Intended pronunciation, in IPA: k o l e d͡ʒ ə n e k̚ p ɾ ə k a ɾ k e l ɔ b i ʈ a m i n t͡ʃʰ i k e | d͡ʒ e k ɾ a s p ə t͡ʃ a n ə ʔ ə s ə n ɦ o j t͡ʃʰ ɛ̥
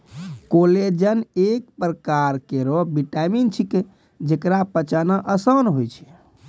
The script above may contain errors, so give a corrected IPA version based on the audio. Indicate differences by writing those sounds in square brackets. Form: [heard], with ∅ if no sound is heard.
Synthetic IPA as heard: k o l e d͡ʒ ə n e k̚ p ɾ ə k a ɾ k e [ɾ] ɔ b i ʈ a m i n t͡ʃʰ i k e | d͡ʒ e k ɾ a [∅] p ə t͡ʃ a n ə ʔ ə s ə n ɦ o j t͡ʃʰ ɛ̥